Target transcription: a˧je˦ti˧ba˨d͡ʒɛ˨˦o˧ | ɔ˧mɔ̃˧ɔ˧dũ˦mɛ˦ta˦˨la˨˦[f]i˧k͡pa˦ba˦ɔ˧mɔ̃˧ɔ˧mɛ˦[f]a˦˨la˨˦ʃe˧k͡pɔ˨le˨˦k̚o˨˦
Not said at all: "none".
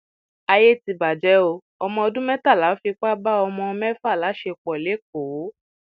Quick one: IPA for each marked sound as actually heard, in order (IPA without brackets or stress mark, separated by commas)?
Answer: f, f